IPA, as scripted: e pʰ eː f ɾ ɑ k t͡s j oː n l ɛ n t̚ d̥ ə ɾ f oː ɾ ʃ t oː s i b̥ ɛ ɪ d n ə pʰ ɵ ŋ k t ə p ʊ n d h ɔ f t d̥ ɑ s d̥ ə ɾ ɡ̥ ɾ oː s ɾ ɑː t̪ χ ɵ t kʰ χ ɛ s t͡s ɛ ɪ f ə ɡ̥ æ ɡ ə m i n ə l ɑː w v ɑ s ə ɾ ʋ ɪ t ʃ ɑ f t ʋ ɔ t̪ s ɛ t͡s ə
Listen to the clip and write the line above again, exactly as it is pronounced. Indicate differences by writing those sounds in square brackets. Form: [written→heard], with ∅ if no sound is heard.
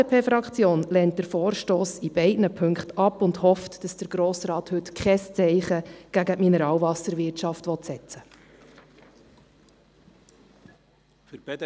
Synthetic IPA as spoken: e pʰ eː f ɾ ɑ k t͡s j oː n l ɛ n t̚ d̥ ə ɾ f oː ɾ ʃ t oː s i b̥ ɛ ɪ d n ə pʰ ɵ ŋ k t [ə→ɑ] p ʊ n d h ɔ f t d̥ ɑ s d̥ ə ɾ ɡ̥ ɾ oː s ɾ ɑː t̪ [χ→h] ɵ t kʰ χ ɛ s t͡s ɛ ɪ [f→χ] ə ɡ̥ æ ɡ ə m i n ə [l→ɾ] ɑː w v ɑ s ə ɾ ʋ ɪ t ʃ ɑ f t ʋ ɔ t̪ s ɛ t͡s ə